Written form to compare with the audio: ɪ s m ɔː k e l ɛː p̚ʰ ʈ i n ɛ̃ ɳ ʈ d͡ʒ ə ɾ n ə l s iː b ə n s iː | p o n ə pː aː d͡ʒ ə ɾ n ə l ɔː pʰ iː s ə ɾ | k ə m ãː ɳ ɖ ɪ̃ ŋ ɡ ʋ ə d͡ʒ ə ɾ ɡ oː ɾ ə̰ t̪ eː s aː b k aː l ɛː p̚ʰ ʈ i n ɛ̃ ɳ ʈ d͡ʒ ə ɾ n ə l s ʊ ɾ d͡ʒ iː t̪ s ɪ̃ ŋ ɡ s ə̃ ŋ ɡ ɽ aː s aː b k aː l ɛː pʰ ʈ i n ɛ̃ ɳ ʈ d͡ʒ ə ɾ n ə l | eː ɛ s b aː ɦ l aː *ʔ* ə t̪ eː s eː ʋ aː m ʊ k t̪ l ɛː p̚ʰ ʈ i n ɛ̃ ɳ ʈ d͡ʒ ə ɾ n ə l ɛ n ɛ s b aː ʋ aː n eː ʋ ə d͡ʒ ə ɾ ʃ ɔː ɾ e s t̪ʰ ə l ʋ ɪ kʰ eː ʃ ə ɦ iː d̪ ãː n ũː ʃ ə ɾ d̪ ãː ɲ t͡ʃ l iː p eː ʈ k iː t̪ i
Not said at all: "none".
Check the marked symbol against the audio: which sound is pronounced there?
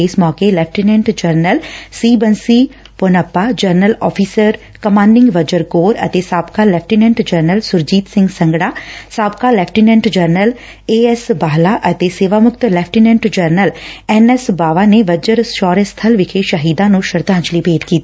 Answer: ʔ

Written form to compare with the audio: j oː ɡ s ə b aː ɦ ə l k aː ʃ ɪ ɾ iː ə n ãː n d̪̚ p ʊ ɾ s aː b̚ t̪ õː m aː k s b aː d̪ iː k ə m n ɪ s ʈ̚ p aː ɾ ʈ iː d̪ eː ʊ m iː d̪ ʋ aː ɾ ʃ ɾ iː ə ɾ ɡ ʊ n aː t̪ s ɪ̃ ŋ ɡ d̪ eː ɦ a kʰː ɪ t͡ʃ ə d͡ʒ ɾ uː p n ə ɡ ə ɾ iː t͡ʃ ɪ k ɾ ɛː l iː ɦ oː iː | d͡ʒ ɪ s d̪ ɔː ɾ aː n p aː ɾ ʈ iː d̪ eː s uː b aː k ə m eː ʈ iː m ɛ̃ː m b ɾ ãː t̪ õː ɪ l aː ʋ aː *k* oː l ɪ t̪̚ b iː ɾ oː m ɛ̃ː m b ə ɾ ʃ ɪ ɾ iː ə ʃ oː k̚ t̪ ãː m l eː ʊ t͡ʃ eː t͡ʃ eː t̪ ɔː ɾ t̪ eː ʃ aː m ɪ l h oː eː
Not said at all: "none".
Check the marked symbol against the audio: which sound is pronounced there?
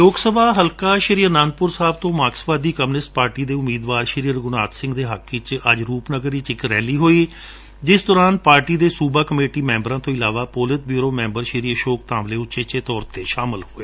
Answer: p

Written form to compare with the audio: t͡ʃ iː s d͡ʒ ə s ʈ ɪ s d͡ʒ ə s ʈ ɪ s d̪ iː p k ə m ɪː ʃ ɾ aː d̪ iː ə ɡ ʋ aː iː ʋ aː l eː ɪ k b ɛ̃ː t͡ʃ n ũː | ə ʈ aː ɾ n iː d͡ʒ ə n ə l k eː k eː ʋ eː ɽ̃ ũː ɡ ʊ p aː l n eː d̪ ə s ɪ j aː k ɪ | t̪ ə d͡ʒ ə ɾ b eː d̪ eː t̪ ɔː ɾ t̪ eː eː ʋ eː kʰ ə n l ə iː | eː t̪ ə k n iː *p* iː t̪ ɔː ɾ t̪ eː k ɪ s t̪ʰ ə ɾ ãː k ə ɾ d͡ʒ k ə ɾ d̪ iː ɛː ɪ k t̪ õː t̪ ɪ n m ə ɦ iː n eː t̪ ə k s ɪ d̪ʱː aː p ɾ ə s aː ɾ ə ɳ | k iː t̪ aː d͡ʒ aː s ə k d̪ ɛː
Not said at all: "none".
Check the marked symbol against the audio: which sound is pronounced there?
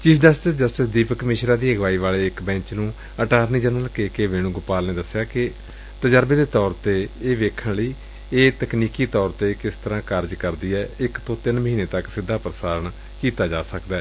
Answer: k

